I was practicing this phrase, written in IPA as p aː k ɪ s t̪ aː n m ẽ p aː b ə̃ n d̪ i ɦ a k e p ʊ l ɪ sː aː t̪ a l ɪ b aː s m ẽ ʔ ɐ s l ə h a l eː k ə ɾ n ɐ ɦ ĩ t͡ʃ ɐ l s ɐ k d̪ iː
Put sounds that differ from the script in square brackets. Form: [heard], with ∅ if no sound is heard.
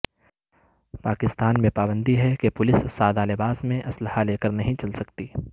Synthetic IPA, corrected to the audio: p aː k ɪ s t̪ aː n m ẽ p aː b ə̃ n d̪ i ɦ [ɛ] k e p ʊ l ɪ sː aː [d̪] a l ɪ b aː s m ẽ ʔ ɐ s l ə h a l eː k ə ɾ n ɐ ɦ ĩ t͡ʃ ɐ l s ɐ k [t̪] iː